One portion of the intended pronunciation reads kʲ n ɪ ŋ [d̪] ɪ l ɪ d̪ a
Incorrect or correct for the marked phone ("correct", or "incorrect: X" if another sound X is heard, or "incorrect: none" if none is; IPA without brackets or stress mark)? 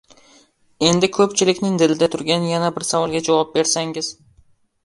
correct